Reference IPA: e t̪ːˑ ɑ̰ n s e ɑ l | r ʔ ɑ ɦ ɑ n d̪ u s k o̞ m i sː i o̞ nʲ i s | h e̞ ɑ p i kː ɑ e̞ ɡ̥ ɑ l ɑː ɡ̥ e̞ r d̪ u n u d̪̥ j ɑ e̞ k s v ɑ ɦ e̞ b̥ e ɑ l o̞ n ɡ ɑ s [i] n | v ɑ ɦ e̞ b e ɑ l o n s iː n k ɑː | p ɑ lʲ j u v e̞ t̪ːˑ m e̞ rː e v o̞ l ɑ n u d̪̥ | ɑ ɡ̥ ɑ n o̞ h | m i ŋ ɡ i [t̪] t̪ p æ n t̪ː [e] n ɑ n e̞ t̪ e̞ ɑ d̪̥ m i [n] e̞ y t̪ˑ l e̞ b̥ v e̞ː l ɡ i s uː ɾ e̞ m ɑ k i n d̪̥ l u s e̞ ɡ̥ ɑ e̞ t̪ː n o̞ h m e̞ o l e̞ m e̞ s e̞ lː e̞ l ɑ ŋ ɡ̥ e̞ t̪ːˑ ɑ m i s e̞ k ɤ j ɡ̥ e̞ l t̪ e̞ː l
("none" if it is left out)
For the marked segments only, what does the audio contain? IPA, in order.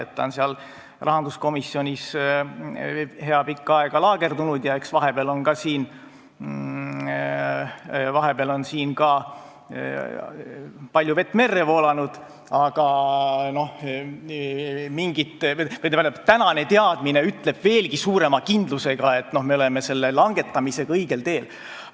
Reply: iː, t̪, æ, n

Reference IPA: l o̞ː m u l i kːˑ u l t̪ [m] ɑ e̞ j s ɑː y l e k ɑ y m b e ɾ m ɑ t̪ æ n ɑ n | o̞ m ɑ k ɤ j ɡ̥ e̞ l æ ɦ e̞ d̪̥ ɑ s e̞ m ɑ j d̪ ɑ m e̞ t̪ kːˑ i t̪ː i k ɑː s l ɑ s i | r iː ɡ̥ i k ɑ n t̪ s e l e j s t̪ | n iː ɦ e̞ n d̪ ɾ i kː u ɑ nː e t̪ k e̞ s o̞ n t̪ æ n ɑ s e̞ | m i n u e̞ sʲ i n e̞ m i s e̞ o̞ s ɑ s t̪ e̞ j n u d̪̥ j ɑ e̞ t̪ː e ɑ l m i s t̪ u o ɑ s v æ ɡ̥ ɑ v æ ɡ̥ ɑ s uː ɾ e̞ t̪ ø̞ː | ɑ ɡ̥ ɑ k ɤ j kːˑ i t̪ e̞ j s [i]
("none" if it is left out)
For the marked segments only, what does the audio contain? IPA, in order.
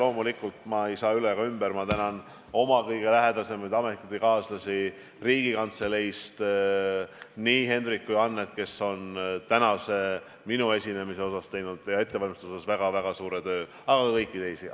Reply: m, i

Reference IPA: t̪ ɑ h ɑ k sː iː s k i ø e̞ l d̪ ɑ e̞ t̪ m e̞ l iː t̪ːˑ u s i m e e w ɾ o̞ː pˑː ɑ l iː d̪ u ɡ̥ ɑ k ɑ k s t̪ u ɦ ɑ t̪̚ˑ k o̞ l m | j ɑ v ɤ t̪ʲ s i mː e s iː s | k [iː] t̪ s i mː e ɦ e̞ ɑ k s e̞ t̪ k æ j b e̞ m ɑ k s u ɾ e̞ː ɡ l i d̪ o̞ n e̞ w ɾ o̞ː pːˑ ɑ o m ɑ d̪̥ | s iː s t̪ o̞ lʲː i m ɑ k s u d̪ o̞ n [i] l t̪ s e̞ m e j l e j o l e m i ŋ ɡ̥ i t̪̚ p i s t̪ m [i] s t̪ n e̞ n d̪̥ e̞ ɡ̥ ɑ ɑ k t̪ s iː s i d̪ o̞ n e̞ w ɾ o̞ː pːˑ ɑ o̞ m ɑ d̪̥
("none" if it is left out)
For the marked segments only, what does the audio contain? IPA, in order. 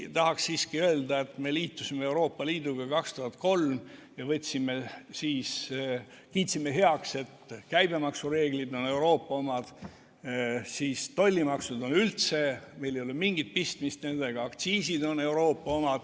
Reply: iː, y, i

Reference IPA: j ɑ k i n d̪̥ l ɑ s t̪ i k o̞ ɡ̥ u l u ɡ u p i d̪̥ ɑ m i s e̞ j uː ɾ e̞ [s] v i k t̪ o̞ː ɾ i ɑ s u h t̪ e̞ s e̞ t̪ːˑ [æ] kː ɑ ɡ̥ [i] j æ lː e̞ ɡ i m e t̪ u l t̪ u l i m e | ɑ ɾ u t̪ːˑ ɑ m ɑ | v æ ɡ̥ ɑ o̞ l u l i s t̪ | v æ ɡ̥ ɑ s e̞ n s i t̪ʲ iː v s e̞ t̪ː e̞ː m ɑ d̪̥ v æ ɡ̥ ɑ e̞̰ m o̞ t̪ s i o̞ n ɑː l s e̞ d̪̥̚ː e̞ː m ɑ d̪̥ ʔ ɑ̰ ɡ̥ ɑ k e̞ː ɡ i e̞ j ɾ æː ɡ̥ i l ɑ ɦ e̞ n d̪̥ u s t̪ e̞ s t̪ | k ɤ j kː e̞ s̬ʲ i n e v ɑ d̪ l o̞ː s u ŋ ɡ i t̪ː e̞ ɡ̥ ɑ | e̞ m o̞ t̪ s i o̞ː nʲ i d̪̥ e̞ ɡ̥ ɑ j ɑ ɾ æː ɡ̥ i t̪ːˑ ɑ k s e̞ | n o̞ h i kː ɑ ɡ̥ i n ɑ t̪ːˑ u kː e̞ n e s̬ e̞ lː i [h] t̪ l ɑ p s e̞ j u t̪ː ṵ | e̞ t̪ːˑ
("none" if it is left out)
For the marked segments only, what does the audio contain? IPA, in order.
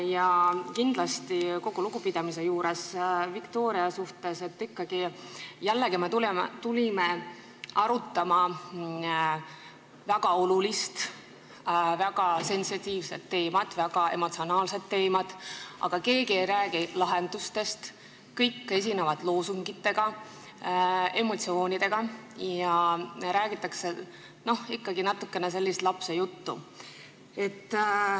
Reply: s, i, i, s

